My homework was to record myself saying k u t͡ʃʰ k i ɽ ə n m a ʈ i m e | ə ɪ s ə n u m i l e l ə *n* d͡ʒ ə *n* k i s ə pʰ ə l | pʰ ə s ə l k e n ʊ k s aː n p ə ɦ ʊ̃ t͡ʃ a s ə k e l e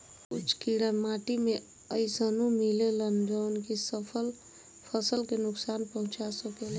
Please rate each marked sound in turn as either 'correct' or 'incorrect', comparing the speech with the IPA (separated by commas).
correct, correct